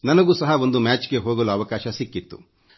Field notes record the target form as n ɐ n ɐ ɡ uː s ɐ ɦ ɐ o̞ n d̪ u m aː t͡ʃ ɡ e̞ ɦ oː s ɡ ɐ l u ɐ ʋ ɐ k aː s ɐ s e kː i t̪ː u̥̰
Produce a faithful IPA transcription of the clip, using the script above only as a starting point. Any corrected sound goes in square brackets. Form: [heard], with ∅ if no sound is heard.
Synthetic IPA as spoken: n ɐ n ɐ ɡ uː s ɐ ɦ ɐ o̞ n d̪ u m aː t͡ʃ ɡ e̞ ɦ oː [∅] ɡ ɐ l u ɐ ʋ ɐ k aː [ʃ] ɐ s [i] kː i t̪ː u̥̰

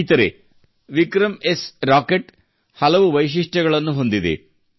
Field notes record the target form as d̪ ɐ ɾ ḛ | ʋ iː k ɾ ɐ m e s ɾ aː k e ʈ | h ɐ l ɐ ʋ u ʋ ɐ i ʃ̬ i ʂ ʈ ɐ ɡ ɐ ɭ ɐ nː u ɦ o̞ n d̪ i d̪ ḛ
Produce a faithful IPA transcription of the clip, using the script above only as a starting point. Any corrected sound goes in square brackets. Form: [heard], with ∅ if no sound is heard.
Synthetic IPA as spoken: [t̪] ɐ ɾ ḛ | ʋ [i] k ɾ ɐ m e s ɾ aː k e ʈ | h ɐ l ɐ ʋ u ʋ ɐ [j] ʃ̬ i ʂ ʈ ɐ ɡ ɐ ɭ ɐ nː u ɦ o̞ n d̪ i d̪ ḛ

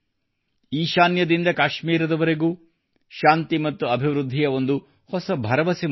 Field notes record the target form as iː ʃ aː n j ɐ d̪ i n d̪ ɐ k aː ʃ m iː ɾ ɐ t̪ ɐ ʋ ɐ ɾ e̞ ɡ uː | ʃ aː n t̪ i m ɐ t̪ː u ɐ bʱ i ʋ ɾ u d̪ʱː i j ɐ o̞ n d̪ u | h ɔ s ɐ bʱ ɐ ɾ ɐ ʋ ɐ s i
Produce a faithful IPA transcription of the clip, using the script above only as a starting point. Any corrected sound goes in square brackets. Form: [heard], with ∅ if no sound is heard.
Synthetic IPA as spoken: iː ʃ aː n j ɐ d̪ i n d̪ ɐ k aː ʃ m iː ɾ ɐ [d̪] ɐ ʋ ɐ ɾ e̞ ɡ uː | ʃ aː n t̪ i m ɐ t̪ː u ɐ bʱ i ʋ ɾ u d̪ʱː i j ɐ o̞ n d̪ u | h ɔ s ɐ bʱ ɐ ɾ ɐ ʋ ɐ s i

